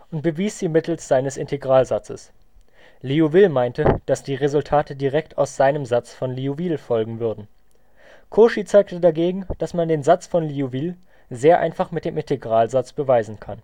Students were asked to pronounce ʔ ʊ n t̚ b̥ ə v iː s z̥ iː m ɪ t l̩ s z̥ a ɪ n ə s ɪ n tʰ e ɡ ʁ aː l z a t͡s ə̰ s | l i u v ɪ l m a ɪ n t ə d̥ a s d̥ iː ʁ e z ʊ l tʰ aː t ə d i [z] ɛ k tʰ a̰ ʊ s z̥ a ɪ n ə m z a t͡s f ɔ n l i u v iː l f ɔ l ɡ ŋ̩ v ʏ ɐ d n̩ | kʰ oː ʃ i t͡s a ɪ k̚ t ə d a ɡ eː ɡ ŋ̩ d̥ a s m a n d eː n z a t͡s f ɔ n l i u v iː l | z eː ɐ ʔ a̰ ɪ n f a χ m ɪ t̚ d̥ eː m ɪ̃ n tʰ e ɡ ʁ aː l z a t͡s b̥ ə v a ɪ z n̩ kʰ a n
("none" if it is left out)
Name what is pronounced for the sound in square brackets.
ʁ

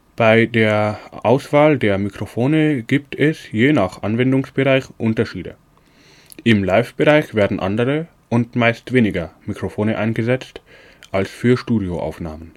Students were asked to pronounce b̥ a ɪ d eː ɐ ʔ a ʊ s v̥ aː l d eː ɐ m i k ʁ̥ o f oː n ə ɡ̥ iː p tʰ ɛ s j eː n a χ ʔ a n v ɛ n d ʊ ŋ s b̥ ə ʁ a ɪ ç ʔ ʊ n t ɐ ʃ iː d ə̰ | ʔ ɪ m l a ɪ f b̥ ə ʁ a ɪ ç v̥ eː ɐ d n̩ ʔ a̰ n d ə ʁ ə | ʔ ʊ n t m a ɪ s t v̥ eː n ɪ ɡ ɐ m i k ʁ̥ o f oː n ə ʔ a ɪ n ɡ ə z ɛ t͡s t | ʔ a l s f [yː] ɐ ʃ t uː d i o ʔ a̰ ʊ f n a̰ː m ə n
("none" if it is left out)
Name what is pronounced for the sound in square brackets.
yː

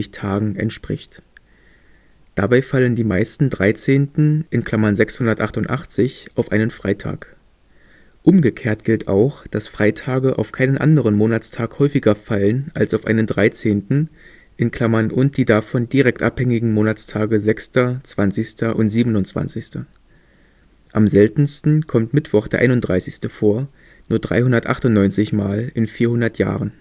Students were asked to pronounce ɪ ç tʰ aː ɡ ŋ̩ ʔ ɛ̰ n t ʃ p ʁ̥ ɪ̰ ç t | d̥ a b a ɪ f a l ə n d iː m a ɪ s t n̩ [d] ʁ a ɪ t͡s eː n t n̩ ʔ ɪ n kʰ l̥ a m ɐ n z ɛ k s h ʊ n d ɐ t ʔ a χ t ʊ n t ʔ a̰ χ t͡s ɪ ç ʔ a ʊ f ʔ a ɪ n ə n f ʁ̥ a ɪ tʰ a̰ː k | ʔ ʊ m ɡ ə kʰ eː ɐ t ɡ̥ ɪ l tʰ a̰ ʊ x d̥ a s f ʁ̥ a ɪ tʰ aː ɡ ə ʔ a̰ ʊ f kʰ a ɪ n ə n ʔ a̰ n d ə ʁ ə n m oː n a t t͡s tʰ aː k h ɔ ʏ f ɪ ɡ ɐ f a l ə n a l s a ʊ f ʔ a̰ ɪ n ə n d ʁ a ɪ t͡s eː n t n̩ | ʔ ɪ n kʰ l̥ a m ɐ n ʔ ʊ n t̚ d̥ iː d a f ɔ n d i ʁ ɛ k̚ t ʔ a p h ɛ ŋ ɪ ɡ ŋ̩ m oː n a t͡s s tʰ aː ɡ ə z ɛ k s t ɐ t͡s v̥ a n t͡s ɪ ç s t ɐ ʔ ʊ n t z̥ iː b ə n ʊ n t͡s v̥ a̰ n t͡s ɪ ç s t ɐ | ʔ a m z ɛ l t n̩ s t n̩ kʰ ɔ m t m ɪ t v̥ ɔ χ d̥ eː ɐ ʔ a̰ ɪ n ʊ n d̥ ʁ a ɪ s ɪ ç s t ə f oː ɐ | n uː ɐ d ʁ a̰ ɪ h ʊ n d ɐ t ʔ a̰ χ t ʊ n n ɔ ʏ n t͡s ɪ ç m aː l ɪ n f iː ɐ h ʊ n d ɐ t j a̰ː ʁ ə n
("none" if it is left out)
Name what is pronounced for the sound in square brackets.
d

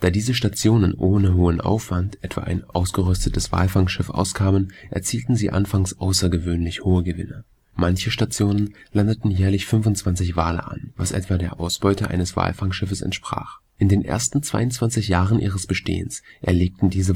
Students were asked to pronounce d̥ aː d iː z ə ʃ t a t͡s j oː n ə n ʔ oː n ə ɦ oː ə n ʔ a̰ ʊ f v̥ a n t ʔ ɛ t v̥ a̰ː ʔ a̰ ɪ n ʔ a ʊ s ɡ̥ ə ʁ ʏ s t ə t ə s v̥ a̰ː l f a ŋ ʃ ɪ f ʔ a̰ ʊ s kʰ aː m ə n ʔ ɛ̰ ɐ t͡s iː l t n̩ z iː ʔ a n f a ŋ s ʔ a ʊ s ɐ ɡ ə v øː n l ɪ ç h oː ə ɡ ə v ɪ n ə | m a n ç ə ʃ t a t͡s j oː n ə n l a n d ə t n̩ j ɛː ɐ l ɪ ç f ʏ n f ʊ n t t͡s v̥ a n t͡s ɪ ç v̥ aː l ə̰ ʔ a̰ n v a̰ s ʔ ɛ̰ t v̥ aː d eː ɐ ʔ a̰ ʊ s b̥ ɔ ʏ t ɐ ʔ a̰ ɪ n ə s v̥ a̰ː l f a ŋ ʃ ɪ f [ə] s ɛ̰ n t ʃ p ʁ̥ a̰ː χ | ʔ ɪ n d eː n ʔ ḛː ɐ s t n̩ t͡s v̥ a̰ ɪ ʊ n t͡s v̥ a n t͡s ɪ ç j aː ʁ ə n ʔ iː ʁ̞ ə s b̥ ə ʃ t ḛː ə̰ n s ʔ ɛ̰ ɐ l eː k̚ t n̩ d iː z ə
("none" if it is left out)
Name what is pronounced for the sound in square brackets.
ə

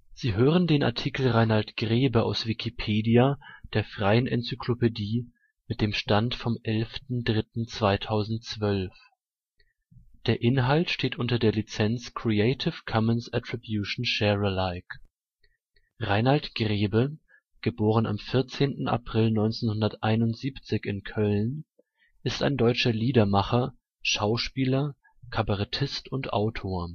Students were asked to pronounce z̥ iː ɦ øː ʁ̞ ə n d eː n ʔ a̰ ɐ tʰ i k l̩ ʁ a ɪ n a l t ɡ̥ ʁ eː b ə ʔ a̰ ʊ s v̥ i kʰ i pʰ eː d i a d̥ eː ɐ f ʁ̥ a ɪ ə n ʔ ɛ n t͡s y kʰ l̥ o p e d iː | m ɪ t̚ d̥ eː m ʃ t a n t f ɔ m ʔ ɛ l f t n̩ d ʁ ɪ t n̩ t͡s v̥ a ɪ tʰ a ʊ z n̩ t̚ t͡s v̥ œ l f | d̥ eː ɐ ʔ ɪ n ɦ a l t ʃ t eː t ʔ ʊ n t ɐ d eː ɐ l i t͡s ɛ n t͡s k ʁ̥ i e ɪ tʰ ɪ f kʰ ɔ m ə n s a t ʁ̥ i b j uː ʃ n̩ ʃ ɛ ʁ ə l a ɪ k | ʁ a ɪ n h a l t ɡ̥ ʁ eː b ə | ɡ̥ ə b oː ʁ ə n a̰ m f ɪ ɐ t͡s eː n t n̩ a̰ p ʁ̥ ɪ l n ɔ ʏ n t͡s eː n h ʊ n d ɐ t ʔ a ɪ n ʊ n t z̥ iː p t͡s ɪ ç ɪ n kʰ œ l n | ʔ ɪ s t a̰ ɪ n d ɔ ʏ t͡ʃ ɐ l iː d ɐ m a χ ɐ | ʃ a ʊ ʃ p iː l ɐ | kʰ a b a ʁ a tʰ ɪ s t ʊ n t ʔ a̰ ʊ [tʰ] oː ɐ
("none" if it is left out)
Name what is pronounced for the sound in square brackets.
tʰ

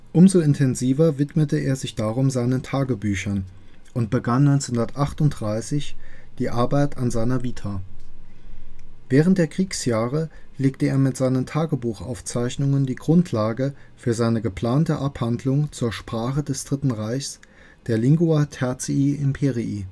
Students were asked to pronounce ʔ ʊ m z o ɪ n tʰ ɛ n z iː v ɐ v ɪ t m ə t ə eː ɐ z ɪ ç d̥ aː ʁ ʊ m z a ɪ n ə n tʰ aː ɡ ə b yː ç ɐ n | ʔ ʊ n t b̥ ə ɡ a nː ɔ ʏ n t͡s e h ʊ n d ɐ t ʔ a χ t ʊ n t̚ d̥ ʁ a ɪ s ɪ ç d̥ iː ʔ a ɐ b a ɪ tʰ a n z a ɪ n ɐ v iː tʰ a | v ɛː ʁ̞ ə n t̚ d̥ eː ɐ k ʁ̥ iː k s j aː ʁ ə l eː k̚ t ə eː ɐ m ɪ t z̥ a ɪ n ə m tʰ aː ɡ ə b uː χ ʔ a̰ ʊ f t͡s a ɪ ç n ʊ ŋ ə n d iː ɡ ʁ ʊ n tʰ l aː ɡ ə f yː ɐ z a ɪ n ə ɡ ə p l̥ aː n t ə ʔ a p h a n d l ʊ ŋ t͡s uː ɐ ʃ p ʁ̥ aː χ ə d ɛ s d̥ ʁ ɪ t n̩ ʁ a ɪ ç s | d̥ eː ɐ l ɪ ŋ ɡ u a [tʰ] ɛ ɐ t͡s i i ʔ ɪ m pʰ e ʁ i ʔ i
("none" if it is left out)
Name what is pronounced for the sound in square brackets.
tʰ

